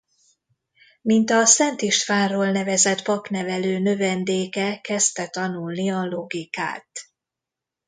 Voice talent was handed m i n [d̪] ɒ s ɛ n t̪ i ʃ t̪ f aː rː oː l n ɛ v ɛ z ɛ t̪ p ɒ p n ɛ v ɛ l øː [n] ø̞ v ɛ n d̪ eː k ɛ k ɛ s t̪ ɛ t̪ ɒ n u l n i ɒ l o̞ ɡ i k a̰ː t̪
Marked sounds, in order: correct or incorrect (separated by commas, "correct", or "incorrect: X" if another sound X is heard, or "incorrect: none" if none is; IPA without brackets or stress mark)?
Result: incorrect: t̪, correct